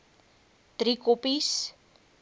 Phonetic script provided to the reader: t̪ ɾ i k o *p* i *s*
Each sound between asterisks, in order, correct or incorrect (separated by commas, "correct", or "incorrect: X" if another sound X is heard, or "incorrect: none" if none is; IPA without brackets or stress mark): correct, correct